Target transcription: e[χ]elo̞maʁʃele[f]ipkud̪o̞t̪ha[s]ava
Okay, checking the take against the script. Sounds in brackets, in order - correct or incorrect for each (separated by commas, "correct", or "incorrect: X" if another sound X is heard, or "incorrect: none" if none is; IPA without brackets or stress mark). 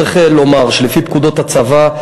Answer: correct, correct, incorrect: t͡s